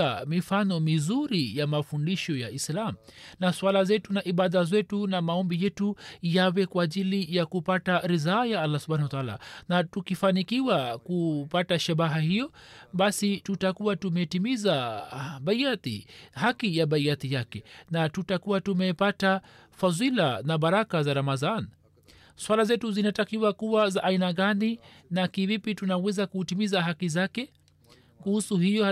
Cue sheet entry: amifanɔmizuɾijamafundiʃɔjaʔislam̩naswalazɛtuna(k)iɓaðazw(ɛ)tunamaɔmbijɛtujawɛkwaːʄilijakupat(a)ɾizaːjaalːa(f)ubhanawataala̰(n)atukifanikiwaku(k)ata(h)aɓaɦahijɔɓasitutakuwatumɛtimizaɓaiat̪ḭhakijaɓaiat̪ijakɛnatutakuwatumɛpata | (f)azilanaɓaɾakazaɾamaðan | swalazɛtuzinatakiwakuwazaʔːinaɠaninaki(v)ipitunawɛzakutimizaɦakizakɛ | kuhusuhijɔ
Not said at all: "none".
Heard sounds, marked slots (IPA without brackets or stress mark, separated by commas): ʔ, ɛ, a, s, n, p, ʃ, f, v